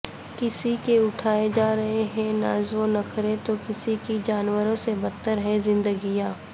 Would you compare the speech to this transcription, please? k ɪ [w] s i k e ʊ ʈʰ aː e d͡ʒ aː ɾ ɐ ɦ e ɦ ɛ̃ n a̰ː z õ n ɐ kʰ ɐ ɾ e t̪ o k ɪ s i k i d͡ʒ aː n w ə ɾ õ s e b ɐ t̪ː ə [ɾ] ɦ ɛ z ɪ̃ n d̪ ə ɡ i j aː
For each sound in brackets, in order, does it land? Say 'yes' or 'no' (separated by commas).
no, yes